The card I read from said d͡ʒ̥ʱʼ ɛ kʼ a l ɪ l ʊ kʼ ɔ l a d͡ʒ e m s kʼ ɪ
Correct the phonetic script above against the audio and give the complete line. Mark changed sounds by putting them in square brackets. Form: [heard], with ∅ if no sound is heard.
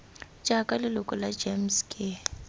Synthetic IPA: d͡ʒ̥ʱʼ [a] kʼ a l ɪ l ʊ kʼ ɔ l a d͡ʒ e m s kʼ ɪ